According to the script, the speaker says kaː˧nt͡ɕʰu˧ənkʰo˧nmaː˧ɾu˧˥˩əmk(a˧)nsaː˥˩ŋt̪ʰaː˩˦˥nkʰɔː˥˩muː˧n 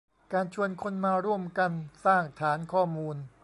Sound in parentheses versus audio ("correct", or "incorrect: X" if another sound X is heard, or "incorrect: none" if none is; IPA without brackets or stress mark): correct